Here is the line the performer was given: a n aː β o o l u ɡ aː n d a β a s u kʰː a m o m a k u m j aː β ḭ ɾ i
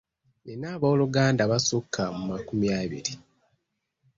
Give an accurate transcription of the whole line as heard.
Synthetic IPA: e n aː β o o l u ɡ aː n d a β a s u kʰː a m u m a k u m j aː β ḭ ɾ i

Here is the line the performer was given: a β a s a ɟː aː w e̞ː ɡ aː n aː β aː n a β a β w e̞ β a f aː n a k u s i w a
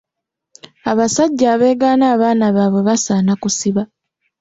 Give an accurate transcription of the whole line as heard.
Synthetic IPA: a β a s a ɟː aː β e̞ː ɡ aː n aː β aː n a β a β w e̞ β a s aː n a k u s i β a

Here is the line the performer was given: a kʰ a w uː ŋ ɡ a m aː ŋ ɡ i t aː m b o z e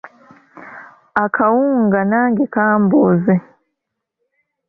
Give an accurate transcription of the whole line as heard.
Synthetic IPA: a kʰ a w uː ŋ ɡ a n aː ŋ ɡ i k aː m b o z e

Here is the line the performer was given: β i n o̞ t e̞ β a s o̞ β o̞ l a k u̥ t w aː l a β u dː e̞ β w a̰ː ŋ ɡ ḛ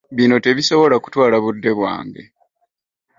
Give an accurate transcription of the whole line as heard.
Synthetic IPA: β i n o̞ t e̞ β i s o̞ β o̞ l a k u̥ t w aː l a β u dː e̞ β w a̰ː ŋ ɡ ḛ

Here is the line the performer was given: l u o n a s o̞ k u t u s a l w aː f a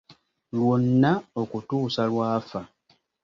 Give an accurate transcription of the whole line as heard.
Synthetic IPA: l w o nː a o̞ k u t uː s a l w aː f a

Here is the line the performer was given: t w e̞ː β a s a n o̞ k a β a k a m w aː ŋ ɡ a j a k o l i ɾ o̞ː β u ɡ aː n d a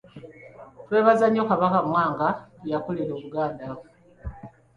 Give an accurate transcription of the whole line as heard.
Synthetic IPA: t w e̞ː β a z a ɲ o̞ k a β a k a m w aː ŋ ɡ a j a k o l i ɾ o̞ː β u ɡ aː n d a

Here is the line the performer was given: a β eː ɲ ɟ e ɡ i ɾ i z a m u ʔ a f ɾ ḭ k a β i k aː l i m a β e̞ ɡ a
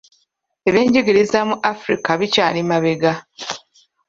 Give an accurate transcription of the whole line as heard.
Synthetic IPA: e β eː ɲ ɟ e ɡ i ɾ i z a m u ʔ a f ɾ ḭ k a β i c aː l i m a β e̞ ɡ a

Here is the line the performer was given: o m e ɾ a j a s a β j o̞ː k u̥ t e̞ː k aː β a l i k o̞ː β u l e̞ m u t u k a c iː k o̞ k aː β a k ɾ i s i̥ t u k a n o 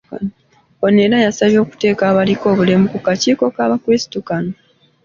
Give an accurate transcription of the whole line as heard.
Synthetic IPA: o n e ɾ a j a s a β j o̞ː k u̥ t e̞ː k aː β a l i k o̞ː β u l e̞ m u k u k a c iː k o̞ k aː β a k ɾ i s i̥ t u k a n o

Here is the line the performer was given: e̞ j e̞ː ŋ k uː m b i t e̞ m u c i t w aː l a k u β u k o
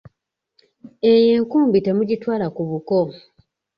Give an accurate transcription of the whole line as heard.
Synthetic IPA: e̞ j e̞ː ŋ k uː m b i t e̞ m u ɟ i t w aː l a k u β u k o

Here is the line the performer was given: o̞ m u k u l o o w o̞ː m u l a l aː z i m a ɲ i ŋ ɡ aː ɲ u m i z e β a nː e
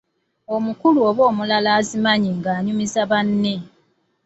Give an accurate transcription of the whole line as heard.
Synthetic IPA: o̞ m u k u l u o β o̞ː m u l a l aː z i m a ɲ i ŋ ɡ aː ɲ u m i z a β a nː e

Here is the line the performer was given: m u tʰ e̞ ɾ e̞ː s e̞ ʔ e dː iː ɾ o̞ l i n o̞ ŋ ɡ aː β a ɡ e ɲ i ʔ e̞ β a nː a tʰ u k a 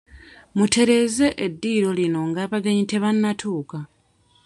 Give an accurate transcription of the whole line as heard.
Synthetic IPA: m u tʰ e̞ ɾ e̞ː z e̞ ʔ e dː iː ɾ o̞ l i n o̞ ŋ ɡ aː β a ɡ e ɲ i t e̞ β a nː a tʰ uː k a

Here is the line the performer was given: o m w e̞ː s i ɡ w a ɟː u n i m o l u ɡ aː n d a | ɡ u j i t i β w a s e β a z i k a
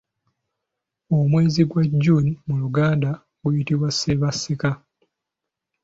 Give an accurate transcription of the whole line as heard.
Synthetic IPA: o m w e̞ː z i ɡ w a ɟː u n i m u l u ɡ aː n d a | ɡ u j i t i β w a s e β a s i k a

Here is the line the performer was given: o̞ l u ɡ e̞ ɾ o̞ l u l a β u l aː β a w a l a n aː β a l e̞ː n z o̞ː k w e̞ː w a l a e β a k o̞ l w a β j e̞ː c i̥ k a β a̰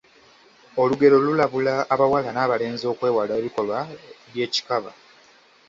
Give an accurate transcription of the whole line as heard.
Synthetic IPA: o̞ l u ɡ e̞ ɾ o̞ l u l a β u l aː β a w a l a n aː β a l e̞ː n z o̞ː k w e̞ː w a l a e β i k o̞ l w a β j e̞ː c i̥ k a β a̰

